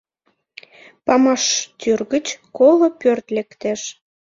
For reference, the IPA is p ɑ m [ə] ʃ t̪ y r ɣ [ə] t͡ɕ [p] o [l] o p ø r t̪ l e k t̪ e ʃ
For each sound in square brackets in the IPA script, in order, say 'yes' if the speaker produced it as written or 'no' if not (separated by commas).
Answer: no, yes, no, yes